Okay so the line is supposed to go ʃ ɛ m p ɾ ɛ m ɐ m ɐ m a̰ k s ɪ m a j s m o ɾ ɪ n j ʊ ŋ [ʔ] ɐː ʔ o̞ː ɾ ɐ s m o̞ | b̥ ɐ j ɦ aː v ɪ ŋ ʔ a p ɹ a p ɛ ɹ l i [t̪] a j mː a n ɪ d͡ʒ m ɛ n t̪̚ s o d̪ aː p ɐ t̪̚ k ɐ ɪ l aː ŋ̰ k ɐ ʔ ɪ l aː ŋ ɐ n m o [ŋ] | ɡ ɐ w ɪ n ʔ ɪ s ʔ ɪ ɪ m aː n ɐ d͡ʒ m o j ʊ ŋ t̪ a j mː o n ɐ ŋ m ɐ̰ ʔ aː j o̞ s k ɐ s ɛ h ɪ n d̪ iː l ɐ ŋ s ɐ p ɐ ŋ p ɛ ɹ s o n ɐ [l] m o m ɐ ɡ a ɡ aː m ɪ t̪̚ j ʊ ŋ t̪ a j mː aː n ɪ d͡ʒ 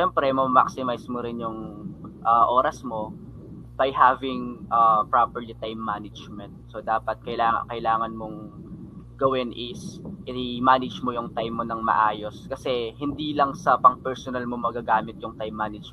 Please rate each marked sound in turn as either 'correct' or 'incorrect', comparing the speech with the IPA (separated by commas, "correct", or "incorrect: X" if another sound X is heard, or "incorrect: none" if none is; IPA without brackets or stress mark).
correct, correct, correct, correct